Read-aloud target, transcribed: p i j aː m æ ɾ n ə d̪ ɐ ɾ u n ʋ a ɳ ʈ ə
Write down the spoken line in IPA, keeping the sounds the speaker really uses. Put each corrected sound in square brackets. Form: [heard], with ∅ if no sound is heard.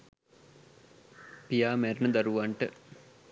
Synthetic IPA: p i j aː m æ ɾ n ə d̪ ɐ ɾ u [∅] ʋ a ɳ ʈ ə